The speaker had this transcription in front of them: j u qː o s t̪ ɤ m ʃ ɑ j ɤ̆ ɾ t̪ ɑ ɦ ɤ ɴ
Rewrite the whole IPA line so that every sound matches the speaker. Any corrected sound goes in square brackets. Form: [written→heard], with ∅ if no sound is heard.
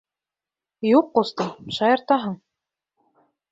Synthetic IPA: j u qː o s t̪ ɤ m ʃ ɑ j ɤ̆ ɾ t̪ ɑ ɦ ɤ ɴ